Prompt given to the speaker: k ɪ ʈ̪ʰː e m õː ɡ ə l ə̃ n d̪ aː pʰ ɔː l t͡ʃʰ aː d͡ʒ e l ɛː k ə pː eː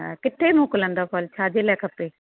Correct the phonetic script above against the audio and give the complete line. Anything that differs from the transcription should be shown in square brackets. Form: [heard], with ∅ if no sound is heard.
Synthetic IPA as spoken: k ɪ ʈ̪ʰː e m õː [k] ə l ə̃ n d̪ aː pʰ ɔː l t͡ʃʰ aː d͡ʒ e l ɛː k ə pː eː